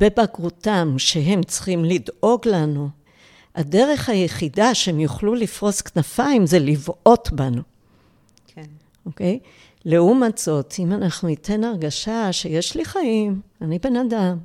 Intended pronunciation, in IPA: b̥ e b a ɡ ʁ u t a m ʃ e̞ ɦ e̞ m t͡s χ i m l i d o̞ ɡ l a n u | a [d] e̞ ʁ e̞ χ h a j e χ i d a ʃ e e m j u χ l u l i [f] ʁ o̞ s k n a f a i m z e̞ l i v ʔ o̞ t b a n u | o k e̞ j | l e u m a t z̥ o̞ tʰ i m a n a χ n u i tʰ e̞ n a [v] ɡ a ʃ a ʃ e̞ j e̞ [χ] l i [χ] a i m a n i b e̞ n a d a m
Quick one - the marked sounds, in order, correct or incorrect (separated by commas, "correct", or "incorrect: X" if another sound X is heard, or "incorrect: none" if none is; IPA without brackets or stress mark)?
correct, correct, incorrect: ʁ, incorrect: ʃ, correct